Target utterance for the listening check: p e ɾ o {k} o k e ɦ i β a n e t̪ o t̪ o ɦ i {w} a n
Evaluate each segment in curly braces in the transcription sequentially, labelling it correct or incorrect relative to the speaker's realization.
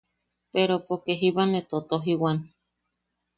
incorrect: p, correct

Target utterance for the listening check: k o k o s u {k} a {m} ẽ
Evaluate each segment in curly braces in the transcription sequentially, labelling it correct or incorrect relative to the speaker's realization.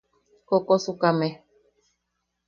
correct, correct

